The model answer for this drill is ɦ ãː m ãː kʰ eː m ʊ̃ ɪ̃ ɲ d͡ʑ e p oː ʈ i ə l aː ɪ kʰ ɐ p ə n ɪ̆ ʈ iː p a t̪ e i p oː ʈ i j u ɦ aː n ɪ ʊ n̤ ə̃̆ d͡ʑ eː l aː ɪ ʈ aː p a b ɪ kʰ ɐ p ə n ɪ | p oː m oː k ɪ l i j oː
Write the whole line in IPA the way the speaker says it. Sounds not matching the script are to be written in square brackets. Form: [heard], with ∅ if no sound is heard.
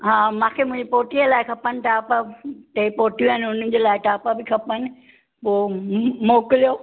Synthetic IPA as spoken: ɦ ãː m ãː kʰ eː m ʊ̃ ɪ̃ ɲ d͡ʑ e p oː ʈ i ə l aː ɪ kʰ ɐ p ə n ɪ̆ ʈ [aː] p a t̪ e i p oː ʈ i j u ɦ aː n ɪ ʊ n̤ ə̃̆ d͡ʑ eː l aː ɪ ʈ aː p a b ɪ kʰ ɐ p ə n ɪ | p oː m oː k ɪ l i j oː

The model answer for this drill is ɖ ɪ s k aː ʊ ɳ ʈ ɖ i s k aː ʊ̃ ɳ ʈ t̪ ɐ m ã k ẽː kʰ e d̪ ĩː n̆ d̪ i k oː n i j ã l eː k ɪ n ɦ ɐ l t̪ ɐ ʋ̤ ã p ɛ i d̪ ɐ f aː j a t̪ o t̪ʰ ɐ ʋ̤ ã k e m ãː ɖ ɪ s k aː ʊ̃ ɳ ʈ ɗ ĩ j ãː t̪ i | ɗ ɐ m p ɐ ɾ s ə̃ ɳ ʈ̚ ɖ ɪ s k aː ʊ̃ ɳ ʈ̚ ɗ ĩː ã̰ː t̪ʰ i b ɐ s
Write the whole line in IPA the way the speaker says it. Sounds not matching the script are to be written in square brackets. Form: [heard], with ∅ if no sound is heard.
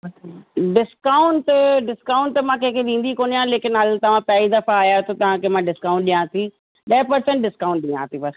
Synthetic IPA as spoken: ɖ ɪ s k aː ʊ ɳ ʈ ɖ [ɪ] s k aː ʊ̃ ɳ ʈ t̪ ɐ m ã k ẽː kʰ e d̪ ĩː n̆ d̪ i k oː n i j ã l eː k ɪ n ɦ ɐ l t̪ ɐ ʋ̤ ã p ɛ i d̪ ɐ f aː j a t̪ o [t̪] ɐ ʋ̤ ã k e m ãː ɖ ɪ s k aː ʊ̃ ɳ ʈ ɗ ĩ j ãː t̪ i | ɗ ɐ [∅] p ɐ ɾ s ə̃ ɳ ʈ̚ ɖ ɪ s k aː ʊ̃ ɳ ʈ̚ ɗ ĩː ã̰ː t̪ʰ i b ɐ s

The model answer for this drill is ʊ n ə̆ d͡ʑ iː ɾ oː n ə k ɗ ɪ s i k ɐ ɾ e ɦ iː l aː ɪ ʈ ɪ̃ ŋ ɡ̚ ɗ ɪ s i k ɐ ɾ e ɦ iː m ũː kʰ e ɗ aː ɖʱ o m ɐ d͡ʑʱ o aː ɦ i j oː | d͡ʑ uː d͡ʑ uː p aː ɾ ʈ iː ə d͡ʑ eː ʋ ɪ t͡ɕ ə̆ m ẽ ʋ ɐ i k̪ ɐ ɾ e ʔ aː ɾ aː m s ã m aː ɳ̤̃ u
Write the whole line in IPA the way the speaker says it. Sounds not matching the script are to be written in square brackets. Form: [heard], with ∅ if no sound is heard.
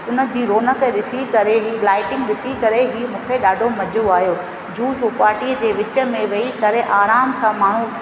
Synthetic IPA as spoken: ʊ n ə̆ d͡ʑ iː ɾ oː n ə k ɗ ɪ s i k ɐ ɾ e ɦ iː l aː ɪ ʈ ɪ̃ ŋ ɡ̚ ɗ ɪ s i k ɐ ɾ e ɦ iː m ũː kʰ e ɗ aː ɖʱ o m ɐ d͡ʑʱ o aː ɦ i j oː | d͡ʑ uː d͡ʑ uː p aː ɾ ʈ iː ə d͡ʑ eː ʋ ɪ t͡ɕ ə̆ m ẽ ʋ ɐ i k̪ ɐ ɾ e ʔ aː ɾ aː m s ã m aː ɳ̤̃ u

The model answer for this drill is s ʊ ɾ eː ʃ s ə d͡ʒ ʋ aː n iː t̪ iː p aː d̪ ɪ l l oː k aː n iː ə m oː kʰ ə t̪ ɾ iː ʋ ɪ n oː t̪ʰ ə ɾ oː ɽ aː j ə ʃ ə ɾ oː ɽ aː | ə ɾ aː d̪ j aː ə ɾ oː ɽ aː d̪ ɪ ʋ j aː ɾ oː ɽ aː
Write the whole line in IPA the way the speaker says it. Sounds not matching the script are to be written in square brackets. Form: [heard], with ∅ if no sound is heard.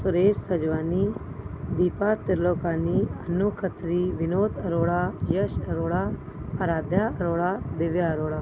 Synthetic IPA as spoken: s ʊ ɾ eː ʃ s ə d͡ʒ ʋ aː n iː [d̪] iː p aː [t̪] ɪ [ɾ] l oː k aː n iː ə [n] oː kʰ ə t̪ ɾ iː ʋ ɪ n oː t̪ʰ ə ɾ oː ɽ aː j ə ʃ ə ɾ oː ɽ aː | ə ɾ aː d̪ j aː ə ɾ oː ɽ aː d̪ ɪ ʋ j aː ɾ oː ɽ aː

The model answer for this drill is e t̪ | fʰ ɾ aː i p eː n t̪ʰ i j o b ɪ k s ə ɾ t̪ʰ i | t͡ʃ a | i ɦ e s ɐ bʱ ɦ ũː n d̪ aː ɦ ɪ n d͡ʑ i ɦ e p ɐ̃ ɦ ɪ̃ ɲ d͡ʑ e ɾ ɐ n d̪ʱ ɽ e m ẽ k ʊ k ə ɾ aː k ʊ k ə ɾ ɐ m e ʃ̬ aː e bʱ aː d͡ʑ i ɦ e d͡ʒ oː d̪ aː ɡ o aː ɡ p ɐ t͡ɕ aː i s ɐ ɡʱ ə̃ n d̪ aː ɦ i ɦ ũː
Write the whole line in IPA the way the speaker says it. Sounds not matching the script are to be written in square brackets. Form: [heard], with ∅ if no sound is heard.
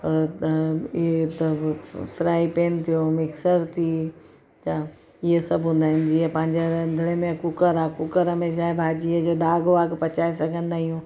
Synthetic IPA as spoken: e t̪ | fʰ ɾ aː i p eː n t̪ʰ i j o [m] ɪ k s ə ɾ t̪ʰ i | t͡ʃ a | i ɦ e s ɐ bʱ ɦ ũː n d̪ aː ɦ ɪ n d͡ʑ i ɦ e p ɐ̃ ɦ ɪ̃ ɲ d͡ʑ e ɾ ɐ n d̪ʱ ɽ e m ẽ k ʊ k ə ɾ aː k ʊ k ə ɾ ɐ m e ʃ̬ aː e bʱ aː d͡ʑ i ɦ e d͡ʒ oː d̪ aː ɡ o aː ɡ p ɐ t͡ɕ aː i s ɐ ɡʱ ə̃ n d̪ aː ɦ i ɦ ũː

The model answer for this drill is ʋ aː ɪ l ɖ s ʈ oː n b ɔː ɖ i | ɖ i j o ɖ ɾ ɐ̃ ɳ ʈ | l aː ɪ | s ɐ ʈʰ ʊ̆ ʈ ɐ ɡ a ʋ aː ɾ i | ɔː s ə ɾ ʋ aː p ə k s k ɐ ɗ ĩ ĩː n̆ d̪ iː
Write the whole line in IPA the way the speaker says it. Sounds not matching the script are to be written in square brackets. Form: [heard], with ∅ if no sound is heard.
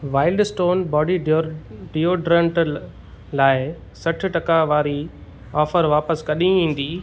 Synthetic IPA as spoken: ʋ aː ɪ l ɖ s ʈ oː n b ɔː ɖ i | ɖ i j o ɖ ɾ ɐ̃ ɳ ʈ | l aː ɪ | s ɐ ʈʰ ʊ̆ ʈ ɐ [k] a ʋ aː ɾ i | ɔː [f] ə ɾ ʋ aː p ə [∅] s k ɐ ɗ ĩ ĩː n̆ d̪ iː

